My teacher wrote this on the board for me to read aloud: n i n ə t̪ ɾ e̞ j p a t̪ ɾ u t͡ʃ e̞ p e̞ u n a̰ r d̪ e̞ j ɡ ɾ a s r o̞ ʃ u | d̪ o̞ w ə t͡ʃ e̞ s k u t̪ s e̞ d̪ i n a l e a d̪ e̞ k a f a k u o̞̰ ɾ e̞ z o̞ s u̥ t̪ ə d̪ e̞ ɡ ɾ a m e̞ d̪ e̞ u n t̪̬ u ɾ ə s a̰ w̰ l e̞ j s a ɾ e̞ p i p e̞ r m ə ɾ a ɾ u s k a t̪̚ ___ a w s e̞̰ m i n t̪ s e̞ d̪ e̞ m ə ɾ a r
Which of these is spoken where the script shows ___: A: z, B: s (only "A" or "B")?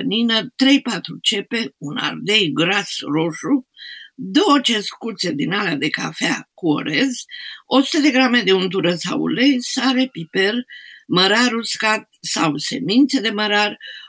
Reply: B